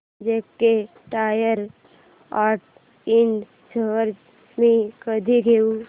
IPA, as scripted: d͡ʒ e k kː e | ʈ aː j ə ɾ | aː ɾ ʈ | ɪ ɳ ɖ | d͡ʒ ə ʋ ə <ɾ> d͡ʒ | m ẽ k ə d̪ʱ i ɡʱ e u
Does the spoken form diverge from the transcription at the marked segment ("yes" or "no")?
no